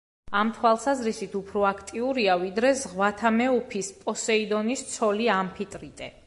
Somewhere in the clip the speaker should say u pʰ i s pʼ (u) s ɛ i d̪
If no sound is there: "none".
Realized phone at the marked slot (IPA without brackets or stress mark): ɔ